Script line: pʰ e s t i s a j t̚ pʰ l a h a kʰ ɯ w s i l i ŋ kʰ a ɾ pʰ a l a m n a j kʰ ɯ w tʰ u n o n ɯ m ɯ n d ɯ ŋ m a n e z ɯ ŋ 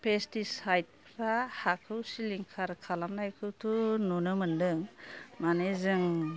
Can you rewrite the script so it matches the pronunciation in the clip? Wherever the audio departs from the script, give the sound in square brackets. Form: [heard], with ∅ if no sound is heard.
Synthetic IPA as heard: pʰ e s t i s a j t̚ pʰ [ɾ] a h a kʰ ɯ w s i l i ŋ kʰ a ɾ [kʰ] a l a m n a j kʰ ɯ w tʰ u n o n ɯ m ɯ n d ɯ ŋ m a n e z ɯ ŋ